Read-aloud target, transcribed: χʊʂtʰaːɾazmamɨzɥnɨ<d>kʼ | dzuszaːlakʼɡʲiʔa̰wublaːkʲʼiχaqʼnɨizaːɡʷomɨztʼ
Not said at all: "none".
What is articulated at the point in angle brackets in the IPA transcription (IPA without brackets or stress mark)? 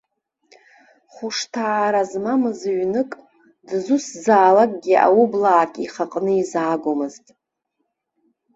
none